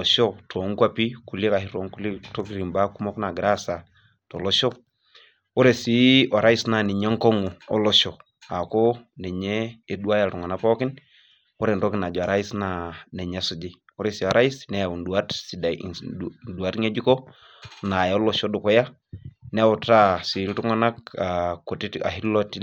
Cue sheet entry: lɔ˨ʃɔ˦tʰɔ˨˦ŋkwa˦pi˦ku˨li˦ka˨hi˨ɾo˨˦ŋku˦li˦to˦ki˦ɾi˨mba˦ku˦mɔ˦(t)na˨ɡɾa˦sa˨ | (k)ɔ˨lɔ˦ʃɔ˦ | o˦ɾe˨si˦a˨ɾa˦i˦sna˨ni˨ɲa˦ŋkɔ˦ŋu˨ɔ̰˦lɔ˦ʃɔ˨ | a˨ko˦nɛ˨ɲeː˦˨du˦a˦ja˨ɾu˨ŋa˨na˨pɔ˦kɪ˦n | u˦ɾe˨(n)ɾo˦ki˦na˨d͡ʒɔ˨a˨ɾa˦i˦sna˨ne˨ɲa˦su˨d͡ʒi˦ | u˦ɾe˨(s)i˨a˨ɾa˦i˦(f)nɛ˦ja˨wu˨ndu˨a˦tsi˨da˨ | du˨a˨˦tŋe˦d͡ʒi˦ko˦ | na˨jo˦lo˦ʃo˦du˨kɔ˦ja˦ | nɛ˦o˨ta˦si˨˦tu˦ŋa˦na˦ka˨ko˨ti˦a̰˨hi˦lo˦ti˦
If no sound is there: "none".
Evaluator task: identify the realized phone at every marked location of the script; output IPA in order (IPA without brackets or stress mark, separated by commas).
k, t, n, s, s